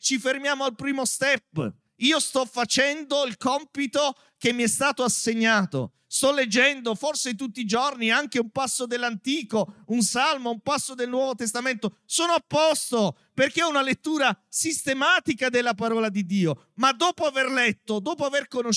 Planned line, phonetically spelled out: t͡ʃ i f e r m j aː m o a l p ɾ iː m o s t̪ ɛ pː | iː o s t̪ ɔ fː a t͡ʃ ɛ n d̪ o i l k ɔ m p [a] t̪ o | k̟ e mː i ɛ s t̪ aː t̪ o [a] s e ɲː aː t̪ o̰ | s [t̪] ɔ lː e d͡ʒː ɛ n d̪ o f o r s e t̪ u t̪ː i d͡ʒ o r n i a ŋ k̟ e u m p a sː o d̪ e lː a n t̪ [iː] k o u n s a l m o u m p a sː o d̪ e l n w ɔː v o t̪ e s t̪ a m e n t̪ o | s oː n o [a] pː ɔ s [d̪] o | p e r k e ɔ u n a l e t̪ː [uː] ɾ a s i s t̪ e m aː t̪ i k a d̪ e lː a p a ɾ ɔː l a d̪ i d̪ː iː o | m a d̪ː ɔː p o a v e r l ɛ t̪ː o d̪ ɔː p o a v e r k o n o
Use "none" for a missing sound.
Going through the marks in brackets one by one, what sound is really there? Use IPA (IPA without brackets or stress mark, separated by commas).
i, a, t̪, iː, a, t̪, uː